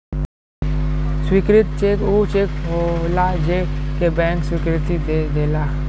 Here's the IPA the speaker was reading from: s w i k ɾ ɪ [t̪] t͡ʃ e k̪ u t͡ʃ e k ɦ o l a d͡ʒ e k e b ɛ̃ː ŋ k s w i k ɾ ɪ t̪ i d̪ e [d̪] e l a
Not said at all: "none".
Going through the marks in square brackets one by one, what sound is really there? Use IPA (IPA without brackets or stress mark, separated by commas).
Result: t̪, d̪